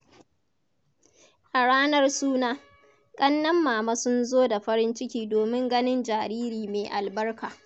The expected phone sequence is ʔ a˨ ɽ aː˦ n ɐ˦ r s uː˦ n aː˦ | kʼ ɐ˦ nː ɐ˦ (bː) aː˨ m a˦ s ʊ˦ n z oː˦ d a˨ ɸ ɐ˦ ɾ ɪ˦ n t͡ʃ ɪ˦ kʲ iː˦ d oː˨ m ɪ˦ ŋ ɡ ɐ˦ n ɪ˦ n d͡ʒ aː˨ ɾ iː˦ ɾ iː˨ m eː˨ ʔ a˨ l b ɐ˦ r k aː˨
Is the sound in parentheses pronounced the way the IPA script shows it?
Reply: no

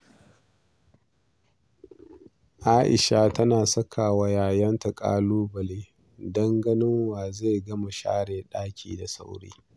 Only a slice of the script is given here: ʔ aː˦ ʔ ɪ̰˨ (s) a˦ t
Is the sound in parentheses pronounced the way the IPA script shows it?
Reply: no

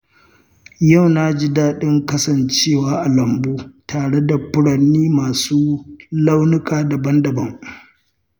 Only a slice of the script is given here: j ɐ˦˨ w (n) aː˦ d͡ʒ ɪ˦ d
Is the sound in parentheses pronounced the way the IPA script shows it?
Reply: yes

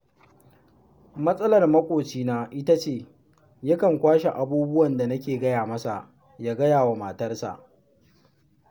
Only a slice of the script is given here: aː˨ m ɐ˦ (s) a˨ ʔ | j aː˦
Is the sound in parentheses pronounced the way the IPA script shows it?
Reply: yes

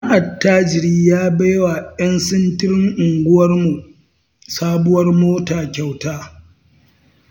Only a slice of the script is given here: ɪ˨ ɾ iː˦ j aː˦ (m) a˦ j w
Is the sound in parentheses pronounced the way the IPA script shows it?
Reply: no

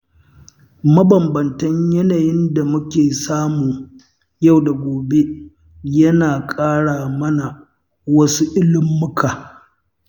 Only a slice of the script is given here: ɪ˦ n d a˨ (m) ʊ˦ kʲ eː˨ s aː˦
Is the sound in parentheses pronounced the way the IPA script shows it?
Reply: yes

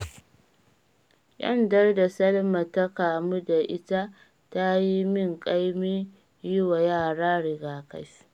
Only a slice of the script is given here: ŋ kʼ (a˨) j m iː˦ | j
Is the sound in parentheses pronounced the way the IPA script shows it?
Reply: no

